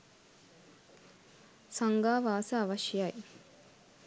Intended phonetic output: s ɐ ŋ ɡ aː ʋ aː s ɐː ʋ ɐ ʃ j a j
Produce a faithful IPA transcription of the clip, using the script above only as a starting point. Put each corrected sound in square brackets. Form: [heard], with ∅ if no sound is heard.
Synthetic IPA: s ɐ ŋ ɡ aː ʋ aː s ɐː ʋ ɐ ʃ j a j